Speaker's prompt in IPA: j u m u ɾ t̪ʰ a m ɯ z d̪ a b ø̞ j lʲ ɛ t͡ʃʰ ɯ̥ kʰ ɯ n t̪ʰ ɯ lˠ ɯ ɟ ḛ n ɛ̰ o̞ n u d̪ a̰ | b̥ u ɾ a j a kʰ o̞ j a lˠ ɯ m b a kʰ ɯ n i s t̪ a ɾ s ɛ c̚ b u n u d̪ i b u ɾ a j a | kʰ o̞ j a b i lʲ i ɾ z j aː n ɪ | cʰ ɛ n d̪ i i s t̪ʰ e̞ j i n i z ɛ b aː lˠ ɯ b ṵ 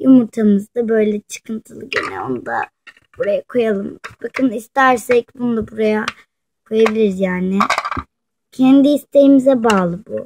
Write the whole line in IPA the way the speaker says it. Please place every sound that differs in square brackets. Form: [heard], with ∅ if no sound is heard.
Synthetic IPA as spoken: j u m u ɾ t̪ʰ a m ɯ z d̪ a b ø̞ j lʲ ɛ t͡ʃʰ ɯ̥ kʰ ɯ n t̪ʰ ɯ lˠ ɯ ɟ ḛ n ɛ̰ o̞ n u d̪ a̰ | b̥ u ɾ a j a kʰ o̞ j a lˠ ɯ m b a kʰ ɯ n i s t̪ [æ] ɾ s ɛ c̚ b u n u d̪ [a] b u ɾ a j a | kʰ o̞ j a b i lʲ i ɾ z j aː n ɪ | cʰ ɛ n d̪ i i s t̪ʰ e̞ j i [m] i z ɛ b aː lˠ ɯ b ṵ